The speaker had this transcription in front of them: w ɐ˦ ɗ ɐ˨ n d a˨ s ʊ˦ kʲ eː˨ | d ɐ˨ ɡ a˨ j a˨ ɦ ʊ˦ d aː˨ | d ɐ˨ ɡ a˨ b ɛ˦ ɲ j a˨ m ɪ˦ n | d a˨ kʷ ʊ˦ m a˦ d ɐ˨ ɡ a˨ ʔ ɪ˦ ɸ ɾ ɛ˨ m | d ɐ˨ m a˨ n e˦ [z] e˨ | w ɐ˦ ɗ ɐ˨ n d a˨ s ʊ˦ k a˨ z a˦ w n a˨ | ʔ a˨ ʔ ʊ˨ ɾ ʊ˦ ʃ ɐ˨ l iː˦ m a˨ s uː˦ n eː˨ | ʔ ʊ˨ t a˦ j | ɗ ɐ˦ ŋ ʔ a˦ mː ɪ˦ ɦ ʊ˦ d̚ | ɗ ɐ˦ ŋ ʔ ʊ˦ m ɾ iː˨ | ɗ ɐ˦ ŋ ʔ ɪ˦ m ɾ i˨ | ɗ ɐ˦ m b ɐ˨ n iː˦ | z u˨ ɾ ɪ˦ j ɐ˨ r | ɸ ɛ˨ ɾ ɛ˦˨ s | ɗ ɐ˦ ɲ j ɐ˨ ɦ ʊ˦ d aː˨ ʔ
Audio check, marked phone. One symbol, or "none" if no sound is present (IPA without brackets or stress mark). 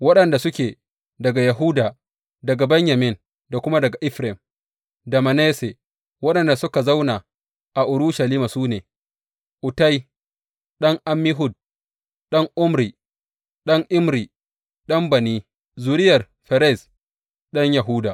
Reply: s